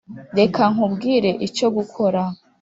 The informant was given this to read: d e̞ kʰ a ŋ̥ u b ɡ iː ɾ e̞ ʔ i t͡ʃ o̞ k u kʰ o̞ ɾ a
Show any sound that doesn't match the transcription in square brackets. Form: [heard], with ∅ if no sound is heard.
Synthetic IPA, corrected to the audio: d e̞ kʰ a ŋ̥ u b ɡ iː ɾ e̞ ʔ i t͡ʃ o̞ [ɡ] u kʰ o̞ ɾ a